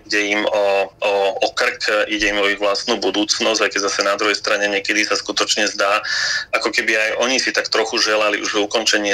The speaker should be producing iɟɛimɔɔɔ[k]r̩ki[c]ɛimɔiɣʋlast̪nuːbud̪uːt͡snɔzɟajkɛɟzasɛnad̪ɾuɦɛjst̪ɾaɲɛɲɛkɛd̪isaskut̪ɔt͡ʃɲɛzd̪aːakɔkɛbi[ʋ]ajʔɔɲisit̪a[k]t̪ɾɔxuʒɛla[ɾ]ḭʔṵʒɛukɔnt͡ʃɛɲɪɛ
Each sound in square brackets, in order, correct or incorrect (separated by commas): correct, incorrect, incorrect, correct, incorrect